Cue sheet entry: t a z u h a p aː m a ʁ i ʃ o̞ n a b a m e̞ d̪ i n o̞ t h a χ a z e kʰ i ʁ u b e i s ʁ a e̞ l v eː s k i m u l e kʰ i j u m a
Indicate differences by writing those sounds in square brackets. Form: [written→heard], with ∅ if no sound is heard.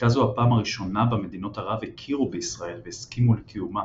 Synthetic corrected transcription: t a z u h a p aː m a ʁ i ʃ o̞ n a b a m e̞ d̪ i n o̞ t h a [χ→ʁ] a [z→v] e kʰ i ʁ u b e i s ʁ a e̞ l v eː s k i m u l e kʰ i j u m a